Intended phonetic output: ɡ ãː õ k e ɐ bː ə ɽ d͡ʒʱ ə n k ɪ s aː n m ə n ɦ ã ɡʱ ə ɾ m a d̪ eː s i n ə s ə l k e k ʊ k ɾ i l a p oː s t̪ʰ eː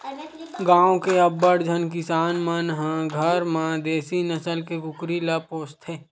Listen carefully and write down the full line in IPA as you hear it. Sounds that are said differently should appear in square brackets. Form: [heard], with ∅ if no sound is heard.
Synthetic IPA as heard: ɡ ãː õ k e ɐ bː ə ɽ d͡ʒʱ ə n k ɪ s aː n m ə n ɦ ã ɡʱ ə ɾ m a d̪ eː s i n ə s ə l k e k ʊ k ɾ i l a p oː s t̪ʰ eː